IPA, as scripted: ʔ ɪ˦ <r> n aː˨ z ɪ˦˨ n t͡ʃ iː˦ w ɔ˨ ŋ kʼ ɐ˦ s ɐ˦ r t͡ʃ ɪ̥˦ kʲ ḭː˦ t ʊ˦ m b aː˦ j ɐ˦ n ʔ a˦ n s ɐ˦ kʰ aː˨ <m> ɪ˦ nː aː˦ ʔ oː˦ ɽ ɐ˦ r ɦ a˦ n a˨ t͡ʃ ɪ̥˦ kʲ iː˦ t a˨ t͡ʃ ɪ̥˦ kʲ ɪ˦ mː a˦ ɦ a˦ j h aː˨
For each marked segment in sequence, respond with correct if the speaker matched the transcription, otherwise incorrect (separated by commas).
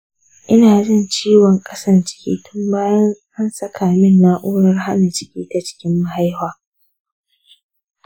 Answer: incorrect, correct